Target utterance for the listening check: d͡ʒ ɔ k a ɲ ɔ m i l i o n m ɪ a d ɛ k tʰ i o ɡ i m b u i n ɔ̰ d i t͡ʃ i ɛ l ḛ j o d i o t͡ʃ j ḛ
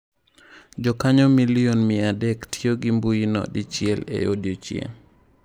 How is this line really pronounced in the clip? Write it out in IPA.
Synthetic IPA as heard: d͡ʒ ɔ k a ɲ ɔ m i l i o n m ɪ a d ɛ k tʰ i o ɡ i m b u i n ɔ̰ d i t͡ʃ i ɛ l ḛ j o d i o t͡ʃ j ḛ